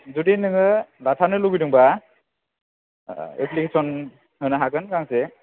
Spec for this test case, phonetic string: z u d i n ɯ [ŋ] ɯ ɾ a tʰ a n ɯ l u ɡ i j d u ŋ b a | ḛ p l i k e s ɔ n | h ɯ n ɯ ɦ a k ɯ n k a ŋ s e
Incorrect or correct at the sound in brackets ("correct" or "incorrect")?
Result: correct